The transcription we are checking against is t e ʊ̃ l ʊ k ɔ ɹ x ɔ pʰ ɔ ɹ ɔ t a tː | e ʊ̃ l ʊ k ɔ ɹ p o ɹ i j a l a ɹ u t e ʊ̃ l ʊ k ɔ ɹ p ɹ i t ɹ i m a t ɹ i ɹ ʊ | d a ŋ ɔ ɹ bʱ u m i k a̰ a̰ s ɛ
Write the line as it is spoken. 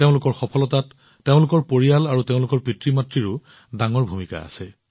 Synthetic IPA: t e ʊ̃ l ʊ k ɔ ɹ x ɔ pʰ ɔ l ɔ t a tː | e ʊ̃ l ʊ k ɔ ɹ p o ɹ i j a l a ɹ u t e ʊ̃ l ʊ k ɔ ɹ p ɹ i t ɹ i m a t ɹ i ɹ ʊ | d a ŋ ɔ ɹ bʱ u m i k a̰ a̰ s ɛ